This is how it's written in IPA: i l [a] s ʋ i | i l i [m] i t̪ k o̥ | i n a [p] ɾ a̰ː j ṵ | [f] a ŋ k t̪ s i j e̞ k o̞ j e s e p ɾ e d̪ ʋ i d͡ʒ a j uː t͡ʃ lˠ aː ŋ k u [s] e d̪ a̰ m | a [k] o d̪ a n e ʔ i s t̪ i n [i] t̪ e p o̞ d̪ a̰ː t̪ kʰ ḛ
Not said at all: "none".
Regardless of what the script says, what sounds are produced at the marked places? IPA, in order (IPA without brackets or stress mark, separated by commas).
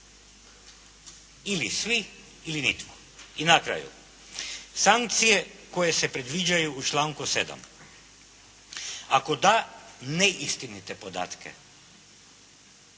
i, n, k, s, s, k, i